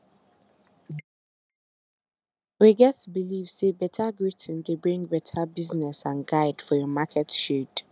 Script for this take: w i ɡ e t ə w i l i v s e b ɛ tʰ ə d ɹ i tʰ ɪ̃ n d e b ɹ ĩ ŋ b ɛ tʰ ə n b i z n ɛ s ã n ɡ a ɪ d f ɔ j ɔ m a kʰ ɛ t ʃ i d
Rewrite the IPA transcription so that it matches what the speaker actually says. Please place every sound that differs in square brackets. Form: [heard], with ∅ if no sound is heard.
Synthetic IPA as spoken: w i ɡ [ɛ] t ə [b] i l i v s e b ɛ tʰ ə [ɡ] ɹ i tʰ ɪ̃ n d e b ɹ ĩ ŋ b ɛ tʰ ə [∅] b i z n ɛ s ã n ɡ a ɪ d f ɔ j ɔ m a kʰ ɛ t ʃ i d